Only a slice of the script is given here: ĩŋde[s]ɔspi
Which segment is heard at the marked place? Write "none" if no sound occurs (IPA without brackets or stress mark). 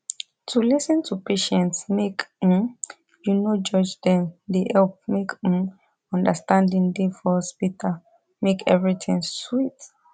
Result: f